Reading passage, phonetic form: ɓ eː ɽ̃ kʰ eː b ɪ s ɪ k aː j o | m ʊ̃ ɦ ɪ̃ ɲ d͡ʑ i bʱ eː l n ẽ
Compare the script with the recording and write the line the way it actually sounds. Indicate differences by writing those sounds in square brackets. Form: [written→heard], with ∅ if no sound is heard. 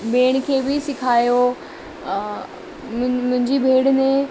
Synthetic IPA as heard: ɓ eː ɽ̃ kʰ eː b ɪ s ɪ [k→kʰ] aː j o | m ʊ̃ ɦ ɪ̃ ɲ d͡ʑ i bʱ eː [l→ɽ] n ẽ